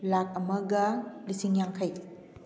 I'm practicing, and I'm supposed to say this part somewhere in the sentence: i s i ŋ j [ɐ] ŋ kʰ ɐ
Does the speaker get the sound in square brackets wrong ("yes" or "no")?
yes